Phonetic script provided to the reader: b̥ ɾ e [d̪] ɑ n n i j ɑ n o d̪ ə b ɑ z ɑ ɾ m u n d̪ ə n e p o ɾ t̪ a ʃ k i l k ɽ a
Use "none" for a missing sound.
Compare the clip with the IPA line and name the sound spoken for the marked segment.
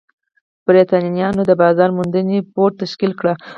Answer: t̪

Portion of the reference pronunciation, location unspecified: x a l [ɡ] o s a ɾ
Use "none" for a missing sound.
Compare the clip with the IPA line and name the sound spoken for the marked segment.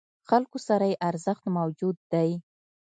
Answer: k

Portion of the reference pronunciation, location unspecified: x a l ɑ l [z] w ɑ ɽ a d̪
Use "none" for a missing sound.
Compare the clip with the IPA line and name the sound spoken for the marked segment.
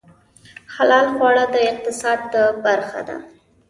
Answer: ɣ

